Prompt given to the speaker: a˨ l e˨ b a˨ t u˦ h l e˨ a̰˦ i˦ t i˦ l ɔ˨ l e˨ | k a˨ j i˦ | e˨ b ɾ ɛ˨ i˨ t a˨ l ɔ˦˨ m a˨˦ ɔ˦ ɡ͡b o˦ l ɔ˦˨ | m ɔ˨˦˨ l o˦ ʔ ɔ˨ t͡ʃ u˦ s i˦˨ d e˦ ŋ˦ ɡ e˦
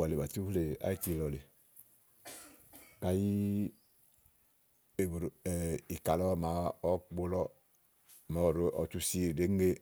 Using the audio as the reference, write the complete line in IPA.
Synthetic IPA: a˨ l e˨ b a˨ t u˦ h l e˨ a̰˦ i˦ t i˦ l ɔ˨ l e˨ | k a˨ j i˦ | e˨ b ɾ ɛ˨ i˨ k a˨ l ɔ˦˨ m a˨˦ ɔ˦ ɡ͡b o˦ l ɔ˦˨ | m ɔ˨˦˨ ɾ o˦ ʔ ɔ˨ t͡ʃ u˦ s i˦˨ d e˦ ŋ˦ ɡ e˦